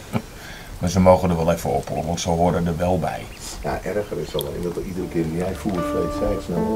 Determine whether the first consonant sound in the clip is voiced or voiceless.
voiced